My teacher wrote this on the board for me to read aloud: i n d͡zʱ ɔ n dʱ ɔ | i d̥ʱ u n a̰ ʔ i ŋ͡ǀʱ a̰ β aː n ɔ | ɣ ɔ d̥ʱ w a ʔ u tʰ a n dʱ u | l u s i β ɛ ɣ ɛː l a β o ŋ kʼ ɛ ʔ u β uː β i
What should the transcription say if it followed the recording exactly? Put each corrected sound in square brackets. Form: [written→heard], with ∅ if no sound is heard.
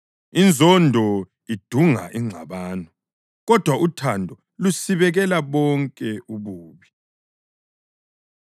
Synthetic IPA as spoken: i n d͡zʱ ɔ n dʱ ɔ | i d̥ʱ u [n→ŋ] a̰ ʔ i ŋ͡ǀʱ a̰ β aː n ɔ | ɣ ɔ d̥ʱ w a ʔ u tʰ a n dʱ [u→ɔ] | l u s i β ɛ ɣ [ɛː→ɛ] l a β [o→ɔ] ŋ kʼ ɛ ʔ u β uː β i